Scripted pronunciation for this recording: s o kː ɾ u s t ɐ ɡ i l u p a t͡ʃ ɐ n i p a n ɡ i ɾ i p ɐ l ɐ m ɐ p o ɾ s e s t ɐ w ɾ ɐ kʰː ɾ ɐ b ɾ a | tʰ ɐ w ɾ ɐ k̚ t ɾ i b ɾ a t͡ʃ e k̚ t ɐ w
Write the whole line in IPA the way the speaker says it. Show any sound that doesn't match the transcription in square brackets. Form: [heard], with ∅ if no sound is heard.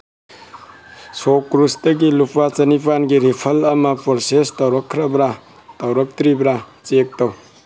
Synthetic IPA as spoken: s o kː ɾ u s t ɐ ɡ i l u p a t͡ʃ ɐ n i p a n ɡ i ɾ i [pʰ] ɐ l ɐ m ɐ p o ɾ s e s t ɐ w ɾ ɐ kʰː ɾ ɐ b ɾ a | [t] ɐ w ɾ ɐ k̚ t ɾ i b ɾ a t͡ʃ e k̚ t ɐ w